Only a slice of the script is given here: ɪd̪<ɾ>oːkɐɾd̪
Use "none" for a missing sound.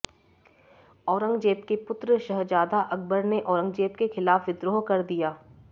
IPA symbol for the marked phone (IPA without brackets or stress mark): ɾ